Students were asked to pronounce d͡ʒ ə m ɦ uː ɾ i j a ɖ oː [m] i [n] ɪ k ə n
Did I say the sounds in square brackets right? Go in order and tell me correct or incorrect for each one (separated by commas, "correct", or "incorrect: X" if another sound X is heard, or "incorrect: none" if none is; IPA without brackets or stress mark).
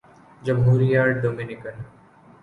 correct, correct